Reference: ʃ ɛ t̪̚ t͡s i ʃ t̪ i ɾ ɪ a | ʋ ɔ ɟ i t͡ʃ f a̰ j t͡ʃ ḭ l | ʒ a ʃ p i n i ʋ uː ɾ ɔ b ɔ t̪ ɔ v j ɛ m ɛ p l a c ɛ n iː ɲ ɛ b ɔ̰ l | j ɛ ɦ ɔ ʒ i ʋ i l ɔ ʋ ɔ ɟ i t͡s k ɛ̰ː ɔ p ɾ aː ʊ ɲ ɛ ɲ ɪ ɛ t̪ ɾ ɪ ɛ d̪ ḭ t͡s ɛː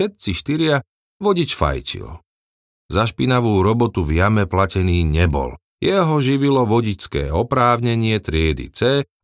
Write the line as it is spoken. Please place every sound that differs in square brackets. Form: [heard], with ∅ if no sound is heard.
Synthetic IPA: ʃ ɛ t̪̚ t͡s i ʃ t̪ i ɾ ɪ a | ʋ ɔ ɟ i t͡ʃ f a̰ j t͡ʃ ḭ l | [z] a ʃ p i n [a] ʋ uː ɾ ɔ b ɔ t̪ [u] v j [a] m ɛ p l a c ɛ n iː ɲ ɛ b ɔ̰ l | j ɛ ɦ ɔ ʒ i ʋ i l ɔ ʋ ɔ ɟ i t͡s k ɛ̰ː ɔ p ɾ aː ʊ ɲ ɛ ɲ ɪ ɛ t̪ ɾ ɪ ɛ d̪ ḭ t͡s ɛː